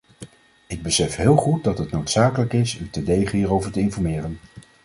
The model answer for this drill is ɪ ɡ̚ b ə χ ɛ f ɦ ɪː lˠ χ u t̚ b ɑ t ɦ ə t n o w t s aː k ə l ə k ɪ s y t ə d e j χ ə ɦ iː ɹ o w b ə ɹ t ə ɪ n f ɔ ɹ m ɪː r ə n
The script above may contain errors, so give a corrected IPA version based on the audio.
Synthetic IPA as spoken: ɪ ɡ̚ b ə s ɛ f ɦ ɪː lˠ χ u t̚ d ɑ t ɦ ə t n o w t s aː k ə l ə k ɪ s y t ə d e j χ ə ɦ iː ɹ o w v ə ɹ t ə ɪ n f ɔ ɹ m ɪː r ə n